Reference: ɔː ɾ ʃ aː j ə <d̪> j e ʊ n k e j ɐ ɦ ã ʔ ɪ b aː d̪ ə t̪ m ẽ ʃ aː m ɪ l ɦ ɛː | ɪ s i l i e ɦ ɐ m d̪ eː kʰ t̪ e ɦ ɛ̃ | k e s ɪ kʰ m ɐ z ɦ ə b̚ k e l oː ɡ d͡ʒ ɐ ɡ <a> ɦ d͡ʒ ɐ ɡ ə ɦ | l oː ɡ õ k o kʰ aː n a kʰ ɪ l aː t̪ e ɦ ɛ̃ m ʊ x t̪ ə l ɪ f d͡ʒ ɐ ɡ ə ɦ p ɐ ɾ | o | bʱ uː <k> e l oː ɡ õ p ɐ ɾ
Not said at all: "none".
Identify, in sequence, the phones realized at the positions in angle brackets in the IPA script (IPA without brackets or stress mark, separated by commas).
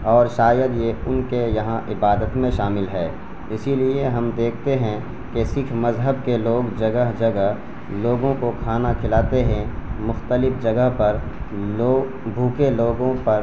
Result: d̪, ə, k